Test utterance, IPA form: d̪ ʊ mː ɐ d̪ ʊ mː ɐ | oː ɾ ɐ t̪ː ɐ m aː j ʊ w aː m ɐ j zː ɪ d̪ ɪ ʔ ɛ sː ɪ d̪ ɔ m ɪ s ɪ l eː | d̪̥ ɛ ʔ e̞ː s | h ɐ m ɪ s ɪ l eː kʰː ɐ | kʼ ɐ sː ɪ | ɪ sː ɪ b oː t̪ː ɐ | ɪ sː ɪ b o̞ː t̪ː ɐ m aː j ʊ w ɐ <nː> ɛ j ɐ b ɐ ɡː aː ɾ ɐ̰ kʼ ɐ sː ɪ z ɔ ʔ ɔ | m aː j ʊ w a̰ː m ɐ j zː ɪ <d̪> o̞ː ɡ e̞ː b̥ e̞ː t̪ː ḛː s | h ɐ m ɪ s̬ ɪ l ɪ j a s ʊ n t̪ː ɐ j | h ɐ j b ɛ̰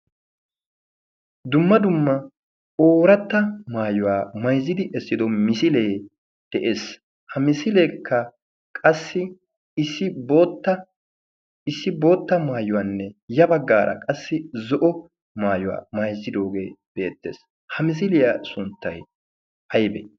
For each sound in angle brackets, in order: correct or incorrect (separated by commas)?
correct, correct